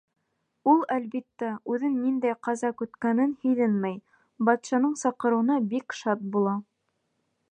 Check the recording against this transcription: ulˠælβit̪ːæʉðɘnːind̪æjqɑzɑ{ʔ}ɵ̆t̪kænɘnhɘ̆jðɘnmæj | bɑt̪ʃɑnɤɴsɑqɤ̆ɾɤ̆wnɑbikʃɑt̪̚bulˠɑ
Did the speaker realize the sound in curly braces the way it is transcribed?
no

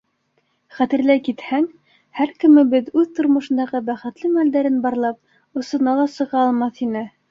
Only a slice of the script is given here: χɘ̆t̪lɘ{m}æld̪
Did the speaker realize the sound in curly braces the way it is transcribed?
yes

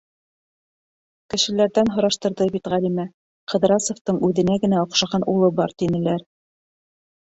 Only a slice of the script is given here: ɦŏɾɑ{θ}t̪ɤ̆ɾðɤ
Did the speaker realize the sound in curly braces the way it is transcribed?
no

